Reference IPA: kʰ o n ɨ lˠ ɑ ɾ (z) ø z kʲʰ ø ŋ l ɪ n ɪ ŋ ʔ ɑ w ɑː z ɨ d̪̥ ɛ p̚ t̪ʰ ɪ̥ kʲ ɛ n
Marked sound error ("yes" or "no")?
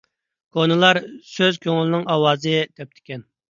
yes